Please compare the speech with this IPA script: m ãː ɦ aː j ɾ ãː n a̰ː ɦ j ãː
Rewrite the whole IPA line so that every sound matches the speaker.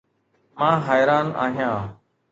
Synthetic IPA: m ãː ɦ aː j ɾ aː n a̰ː ɦ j ãː